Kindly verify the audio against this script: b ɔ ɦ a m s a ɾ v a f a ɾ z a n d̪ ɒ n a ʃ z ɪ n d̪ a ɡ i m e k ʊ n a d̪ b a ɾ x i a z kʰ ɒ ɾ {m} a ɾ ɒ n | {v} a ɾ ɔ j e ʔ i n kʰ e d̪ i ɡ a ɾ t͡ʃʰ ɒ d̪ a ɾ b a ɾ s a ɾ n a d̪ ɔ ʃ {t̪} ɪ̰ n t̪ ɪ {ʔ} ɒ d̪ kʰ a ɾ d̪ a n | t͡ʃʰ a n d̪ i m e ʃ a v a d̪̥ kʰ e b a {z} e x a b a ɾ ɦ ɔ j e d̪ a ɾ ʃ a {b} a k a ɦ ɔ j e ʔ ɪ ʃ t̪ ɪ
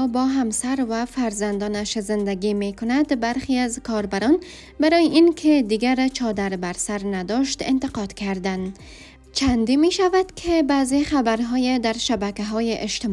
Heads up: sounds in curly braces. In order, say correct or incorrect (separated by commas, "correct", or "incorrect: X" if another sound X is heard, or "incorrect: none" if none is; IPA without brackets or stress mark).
incorrect: b, incorrect: b, correct, incorrect: q, correct, correct